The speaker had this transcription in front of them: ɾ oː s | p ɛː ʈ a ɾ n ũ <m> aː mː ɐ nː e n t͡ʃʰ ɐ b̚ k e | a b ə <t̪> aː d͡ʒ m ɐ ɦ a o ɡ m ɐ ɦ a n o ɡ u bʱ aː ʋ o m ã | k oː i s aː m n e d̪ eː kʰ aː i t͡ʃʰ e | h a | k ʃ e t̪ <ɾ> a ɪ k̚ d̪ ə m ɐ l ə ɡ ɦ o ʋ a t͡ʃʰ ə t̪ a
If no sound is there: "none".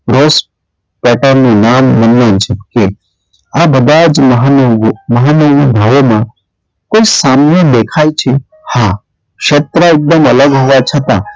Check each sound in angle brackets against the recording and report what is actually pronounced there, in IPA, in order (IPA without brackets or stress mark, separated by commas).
n, d̪, ɾ